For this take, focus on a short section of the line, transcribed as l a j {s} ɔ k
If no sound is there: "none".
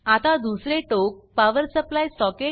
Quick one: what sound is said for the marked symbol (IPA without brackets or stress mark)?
s